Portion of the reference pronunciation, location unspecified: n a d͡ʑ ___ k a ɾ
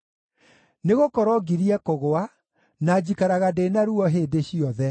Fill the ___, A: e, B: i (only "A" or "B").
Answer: B